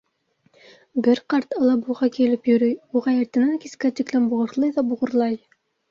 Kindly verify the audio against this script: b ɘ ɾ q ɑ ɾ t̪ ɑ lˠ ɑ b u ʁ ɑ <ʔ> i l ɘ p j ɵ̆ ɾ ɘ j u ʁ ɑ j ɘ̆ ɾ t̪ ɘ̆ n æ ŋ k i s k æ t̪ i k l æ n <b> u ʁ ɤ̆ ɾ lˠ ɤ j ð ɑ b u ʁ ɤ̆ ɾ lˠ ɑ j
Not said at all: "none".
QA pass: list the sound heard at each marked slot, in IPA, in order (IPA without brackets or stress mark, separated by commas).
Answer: k, b